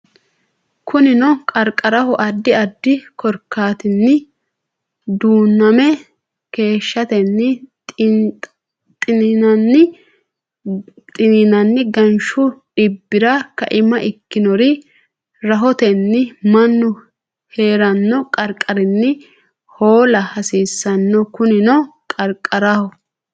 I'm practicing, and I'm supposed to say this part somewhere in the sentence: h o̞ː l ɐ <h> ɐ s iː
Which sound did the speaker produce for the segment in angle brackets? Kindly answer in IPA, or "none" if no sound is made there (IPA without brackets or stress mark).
h